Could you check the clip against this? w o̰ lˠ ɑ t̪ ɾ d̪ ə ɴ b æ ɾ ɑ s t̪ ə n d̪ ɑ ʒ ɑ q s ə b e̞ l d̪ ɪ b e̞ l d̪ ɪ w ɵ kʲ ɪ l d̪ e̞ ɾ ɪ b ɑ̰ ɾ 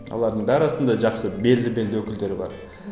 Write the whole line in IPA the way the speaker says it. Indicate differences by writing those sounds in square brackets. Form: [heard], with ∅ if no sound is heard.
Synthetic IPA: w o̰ lˠ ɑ [∅] ɾ d̪ ə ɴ b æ ɾ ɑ s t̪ ə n d̪ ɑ ʒ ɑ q s ə b e̞ l d̪ ɪ b e̞ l d̪ ɪ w ɵ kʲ ɪ l d̪ e̞ ɾ ɪ b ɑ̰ ɾ